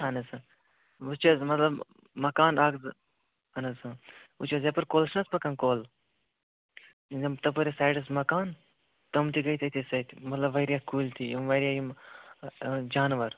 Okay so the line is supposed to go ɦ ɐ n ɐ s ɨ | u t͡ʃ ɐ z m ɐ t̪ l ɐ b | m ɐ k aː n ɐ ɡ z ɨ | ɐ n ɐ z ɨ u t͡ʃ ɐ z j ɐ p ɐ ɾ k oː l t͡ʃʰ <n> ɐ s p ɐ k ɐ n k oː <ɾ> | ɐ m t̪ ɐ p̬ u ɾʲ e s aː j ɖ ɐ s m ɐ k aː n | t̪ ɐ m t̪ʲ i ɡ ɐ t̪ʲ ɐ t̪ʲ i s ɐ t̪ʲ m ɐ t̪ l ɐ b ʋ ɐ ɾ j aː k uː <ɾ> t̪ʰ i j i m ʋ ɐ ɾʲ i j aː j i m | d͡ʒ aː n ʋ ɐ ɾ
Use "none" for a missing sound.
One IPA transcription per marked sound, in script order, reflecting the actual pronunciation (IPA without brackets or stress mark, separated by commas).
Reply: n, l, l